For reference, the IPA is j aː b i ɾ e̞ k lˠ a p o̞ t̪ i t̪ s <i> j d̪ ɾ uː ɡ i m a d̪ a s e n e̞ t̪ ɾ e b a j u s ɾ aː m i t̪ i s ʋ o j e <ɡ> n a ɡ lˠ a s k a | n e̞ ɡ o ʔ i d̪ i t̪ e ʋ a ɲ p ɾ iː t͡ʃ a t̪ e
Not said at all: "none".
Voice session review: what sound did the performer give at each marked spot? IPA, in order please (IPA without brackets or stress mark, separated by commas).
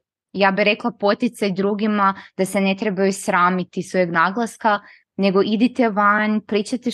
a, ɡ